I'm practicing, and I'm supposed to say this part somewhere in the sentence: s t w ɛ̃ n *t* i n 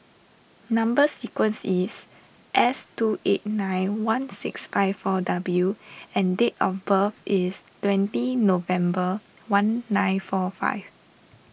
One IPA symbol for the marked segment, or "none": t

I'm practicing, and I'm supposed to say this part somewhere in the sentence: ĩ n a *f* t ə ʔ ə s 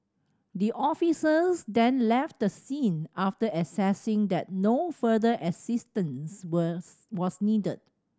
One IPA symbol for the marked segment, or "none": f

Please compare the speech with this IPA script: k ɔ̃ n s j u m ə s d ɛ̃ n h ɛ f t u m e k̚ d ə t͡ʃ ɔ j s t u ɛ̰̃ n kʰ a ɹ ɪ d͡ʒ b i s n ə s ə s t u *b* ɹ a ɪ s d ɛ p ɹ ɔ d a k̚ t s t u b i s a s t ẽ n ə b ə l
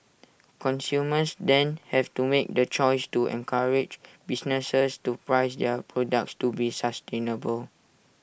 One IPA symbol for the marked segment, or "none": p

